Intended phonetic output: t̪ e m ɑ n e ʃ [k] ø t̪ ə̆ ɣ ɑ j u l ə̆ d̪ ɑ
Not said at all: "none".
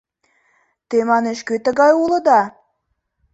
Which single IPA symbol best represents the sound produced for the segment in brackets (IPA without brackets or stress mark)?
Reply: k